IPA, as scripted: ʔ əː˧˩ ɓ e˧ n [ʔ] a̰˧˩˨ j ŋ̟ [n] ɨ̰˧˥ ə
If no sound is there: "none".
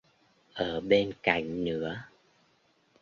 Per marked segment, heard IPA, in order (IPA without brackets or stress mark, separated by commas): k, n